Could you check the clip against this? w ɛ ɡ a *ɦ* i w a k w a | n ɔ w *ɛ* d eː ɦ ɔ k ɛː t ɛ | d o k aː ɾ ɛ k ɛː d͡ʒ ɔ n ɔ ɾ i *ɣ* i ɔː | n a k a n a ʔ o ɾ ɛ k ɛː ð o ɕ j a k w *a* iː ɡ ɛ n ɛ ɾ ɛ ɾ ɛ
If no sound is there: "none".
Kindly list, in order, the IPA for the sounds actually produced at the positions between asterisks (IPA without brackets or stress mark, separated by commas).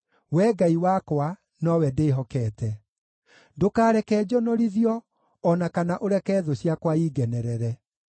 none, ɛ, ð, a